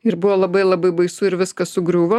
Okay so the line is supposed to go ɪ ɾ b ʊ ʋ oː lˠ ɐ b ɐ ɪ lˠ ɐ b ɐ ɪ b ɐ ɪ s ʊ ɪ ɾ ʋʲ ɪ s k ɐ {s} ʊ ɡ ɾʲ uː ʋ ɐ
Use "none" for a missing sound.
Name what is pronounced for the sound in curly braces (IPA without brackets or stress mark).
s